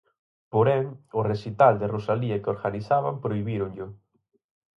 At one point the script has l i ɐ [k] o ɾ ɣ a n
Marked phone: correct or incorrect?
correct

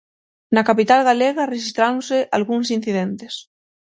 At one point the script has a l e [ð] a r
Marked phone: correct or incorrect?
incorrect: ɣ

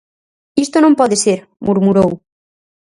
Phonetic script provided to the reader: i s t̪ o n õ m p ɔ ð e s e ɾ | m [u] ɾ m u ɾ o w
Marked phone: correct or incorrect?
correct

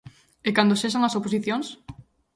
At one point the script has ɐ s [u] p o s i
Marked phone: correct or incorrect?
incorrect: o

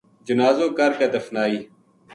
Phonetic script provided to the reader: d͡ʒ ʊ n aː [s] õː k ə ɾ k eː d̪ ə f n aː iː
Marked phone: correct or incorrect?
incorrect: z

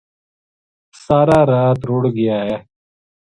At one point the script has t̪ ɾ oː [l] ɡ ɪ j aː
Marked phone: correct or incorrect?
incorrect: ɽ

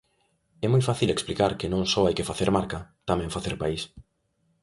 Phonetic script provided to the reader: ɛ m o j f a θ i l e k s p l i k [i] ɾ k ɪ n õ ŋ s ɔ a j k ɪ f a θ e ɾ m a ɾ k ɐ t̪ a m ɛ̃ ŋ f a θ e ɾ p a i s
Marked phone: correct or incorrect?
incorrect: a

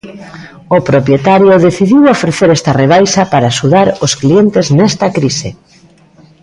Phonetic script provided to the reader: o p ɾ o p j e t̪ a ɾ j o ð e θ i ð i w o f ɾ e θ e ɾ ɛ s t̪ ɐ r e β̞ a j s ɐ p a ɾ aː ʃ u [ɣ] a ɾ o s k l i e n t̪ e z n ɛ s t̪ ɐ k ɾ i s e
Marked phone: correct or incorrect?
incorrect: ð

